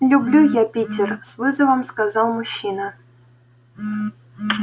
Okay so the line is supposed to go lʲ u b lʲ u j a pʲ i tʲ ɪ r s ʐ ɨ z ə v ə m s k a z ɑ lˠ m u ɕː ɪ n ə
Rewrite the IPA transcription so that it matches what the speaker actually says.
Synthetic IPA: lʲ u b lʲ u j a pʲ i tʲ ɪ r s v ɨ z ə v ə m s k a z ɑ lˠ m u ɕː i n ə

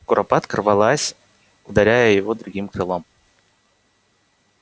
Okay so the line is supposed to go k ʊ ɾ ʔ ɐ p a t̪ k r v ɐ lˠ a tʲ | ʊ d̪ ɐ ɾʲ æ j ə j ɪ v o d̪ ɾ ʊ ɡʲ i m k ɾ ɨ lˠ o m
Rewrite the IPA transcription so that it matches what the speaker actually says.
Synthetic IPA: k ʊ ɾ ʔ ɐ p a t̪ k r v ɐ lˠ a sʲ | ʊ d̪ ɐ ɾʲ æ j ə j ɪ v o d̪ ɾ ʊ ɡʲ i m k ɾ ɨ lˠ o m

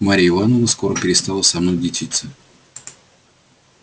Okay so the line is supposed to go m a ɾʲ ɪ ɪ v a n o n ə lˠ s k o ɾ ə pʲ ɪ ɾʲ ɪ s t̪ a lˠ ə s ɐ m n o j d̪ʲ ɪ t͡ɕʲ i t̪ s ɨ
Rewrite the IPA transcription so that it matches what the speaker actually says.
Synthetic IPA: m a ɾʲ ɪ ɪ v a n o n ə s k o ɾ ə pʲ ɪ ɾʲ ɪ s t̪ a lˠ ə s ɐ m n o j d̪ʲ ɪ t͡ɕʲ i t̪ s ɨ

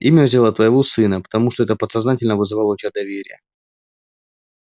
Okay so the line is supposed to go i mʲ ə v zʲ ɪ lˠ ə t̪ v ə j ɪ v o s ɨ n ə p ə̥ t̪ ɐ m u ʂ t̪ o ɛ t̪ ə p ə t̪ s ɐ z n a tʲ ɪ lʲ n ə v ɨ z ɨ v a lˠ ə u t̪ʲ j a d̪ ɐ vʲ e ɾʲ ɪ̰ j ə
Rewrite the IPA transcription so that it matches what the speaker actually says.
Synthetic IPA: i mʲ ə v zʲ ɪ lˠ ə t̪ v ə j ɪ v o s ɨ n ə p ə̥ t̪ ɐ m u ʂ t̪ o ɛ t̪ ə p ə t̪ s ɐ z n a tʲ ɪ lʲ n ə v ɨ z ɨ v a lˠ ə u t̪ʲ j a d̪ ɐ vʲ e ɾʲ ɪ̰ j ə

